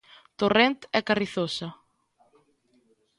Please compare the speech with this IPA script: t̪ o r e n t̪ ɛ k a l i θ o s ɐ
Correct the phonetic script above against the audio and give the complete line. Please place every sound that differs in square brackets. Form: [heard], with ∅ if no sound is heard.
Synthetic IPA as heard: t̪ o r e n t̪ ɛ k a [r] i θ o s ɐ